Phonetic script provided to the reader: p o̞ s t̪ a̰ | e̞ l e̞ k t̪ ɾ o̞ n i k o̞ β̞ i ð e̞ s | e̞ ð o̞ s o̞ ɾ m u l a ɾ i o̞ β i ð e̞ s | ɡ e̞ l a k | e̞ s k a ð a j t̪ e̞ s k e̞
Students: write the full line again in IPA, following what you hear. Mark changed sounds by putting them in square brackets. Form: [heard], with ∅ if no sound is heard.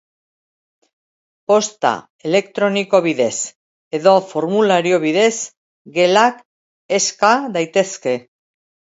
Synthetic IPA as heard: p o̞ s t̪ a̰ | e̞ l e̞ k t̪ ɾ o̞ n i k o̞ β̞ i ð e̞ s | e̞ ð o̞ [f] o̞ ɾ m u l a ɾ i o̞ β i ð e̞ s | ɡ e̞ l a k | e̞ s k a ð a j t̪ e̞ s k e̞